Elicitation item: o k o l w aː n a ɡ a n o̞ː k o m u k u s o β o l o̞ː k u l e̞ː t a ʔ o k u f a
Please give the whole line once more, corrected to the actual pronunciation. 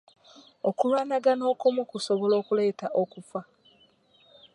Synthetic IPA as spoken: o k u l w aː n a ɡ a n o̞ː k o m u k u s o β o l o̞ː k u l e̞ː t a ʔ o k u f a